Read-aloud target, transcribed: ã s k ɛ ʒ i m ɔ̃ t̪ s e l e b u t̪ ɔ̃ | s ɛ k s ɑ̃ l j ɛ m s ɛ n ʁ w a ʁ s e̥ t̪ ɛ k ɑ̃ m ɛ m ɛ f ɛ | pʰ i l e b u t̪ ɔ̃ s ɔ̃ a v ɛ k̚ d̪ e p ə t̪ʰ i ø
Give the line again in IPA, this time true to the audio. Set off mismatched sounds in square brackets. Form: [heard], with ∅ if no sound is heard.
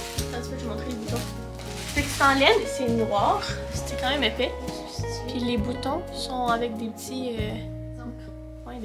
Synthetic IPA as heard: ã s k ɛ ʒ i m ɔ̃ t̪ [χ] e l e b u t̪ ɔ̃ | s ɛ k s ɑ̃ l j ɛ [n] s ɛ n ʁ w a ʁ s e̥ t̪ ɛ k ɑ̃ m ɛ m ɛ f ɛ | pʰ i l e b u t̪ ɔ̃ s ɔ̃ a v ɛ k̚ d̪ e p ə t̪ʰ i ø

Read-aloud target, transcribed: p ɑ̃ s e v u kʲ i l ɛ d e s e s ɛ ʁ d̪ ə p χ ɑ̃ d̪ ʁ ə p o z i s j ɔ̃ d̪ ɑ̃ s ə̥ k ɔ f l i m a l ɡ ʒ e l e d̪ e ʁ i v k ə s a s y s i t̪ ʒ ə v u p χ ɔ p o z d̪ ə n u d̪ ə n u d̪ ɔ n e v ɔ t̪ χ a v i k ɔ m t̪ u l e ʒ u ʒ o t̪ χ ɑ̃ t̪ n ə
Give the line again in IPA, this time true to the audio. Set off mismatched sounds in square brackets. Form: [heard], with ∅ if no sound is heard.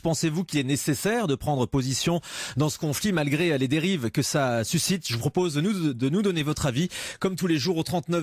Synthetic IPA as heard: p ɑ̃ s e v u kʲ i l ɛ [n] e s e s ɛ ʁ d̪ ə p χ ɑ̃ d̪ ʁ ə p o z i s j ɔ̃ d̪ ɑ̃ s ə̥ k [ɔ̃] f l i m a l ɡ [ʁ] e l e d̪ e ʁ i v k ə s a s y s i t̪ ʒ ə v u p χ ɔ p o z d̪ ə n u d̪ ə n u d̪ ɔ n e v ɔ t̪ χ a v i k ɔ m t̪ u l e ʒ u [ʁ] o t̪ χ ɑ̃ t̪ n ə

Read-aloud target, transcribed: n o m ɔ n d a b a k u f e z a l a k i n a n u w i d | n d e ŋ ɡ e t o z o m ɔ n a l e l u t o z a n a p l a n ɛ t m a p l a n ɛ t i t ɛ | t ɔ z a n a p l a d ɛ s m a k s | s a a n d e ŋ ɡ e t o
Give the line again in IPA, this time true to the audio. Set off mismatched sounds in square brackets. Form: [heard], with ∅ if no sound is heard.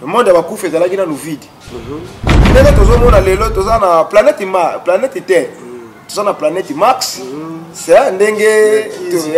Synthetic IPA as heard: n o m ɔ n d a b a k u f e z a l a k i n a n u [v] i d | n d e ŋ ɡ e t o z o m ɔ n a l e l [o] t o z a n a p l a n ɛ t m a p l a n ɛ t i t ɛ | t [o] z a n a p l a [n] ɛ [t] m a k s | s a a n d e ŋ ɡ e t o

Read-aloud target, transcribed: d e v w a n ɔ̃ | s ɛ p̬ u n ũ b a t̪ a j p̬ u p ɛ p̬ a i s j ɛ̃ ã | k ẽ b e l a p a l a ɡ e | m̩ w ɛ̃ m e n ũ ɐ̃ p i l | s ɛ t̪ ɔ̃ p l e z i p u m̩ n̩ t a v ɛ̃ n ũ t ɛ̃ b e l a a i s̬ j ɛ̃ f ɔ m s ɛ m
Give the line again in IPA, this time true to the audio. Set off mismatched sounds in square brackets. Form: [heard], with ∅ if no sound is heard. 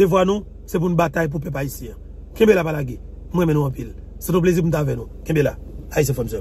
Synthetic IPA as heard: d e v w a n [ũ] | s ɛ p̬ u n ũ b a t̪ a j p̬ u p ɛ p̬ a i s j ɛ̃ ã | k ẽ b e l a p a l a ɡ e | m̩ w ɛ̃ m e n ũ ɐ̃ p i l | s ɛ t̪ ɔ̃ p l e z i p u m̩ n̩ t a v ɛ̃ n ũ [k] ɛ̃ b e l a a i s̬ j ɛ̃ f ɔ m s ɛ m

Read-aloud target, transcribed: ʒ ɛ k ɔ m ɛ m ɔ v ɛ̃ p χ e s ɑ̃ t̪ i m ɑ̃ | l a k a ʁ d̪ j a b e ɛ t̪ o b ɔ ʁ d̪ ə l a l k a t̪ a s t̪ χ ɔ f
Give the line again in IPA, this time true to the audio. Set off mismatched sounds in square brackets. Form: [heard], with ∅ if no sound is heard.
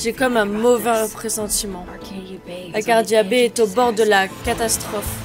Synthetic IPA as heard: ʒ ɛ k ɔ m [ɛ̃] m ɔ v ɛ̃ p χ e s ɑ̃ t̪ i m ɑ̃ | l a k a ʁ d̪ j a b e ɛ t̪ o b ɔ ʁ d̪ ə l a [∅] k a t̪ a s t̪ χ ɔ f

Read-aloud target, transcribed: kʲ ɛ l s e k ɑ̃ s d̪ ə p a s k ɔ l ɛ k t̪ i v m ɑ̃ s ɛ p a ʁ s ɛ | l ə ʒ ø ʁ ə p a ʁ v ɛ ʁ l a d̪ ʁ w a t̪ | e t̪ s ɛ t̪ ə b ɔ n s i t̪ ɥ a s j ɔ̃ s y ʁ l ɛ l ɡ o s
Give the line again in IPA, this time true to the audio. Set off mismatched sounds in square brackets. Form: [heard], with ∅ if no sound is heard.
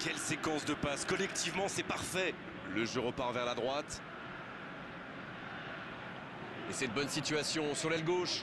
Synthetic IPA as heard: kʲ ɛ l s e k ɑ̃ s d̪ ə p a s k ɔ l ɛ k t̪ i v m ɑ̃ s ɛ p a ʁ [f] ɛ | l ə ʒ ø ʁ ə p a ʁ v ɛ ʁ l a d̪ ʁ w a t̪ | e [∅] s ɛ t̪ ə b ɔ n s i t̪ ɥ a s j ɔ̃ s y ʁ l ɛ l ɡ o [ʃ]

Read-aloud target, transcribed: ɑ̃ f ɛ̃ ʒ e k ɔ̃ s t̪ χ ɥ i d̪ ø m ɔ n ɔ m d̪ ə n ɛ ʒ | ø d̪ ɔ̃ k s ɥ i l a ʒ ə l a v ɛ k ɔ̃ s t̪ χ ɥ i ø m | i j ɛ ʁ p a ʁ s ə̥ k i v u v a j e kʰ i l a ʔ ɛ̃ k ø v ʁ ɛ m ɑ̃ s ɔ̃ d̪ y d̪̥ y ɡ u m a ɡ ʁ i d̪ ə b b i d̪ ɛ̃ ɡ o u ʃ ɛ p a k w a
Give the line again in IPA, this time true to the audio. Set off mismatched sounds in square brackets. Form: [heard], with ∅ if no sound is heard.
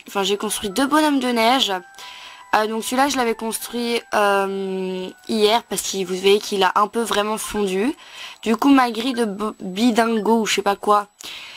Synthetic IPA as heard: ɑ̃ f ɛ̃ ʒ e k ɔ̃ s t̪ χ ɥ i d̪ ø [b] ɔ n ɔ m d̪ ə n ɛ ʒ | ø d̪ ɔ̃ k s ɥ i l a ʒ ə l a v ɛ k ɔ̃ s t̪ χ ɥ i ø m | i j ɛ ʁ p a ʁ s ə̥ k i v u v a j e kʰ i l a ʔ ɛ̃ [p] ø v ʁ ɛ m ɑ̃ [f] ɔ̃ d̪ y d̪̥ y [k] u m a ɡ ʁ i d̪ ə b b i d̪ ɛ̃ ɡ o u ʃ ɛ p a k w a

